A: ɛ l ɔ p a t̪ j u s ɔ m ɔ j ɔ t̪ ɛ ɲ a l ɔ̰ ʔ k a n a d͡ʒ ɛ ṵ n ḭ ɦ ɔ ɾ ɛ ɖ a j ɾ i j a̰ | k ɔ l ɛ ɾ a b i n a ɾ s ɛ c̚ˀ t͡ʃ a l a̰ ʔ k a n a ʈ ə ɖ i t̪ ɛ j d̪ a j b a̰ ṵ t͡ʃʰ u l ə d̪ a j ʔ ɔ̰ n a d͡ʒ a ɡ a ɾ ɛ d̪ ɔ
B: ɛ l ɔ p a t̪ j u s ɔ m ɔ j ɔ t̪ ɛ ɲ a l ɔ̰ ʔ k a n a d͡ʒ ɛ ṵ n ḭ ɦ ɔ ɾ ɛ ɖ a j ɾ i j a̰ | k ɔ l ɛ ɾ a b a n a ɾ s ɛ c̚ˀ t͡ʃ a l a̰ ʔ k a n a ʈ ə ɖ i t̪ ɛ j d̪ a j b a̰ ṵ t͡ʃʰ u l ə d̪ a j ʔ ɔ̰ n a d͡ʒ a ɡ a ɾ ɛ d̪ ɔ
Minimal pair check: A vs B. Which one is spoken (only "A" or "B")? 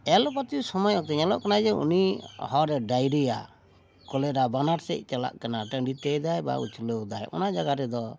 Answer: B